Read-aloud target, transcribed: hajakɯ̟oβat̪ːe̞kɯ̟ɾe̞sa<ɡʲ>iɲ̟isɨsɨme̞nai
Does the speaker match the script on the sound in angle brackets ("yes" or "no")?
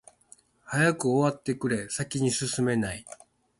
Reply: no